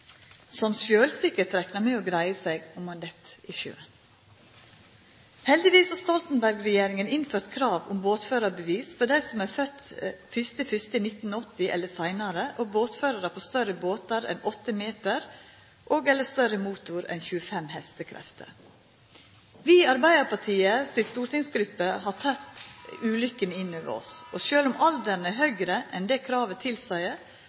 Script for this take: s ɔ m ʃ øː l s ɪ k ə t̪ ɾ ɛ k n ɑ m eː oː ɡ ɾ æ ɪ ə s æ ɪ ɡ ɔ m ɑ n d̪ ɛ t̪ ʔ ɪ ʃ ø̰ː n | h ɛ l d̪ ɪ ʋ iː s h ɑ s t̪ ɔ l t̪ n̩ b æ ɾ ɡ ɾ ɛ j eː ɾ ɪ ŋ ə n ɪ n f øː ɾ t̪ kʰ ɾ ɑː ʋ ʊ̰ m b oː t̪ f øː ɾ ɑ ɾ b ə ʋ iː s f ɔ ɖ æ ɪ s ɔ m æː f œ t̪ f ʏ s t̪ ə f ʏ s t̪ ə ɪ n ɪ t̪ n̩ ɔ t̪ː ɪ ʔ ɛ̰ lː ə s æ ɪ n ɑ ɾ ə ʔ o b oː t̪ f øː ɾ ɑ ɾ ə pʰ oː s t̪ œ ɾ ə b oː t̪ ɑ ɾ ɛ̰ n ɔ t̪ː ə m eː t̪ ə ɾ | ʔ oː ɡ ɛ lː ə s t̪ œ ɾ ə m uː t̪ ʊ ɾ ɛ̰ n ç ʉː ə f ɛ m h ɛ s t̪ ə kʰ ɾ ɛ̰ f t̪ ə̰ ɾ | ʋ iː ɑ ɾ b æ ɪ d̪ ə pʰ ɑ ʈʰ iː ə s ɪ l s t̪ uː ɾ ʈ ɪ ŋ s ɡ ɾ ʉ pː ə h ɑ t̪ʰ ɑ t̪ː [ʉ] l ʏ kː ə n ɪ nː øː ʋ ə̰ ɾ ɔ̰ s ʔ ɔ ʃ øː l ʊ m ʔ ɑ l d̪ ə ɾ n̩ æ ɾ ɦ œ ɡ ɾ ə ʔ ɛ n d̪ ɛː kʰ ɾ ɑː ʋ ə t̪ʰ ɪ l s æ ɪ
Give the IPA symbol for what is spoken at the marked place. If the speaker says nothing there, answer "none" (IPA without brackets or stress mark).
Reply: ʉː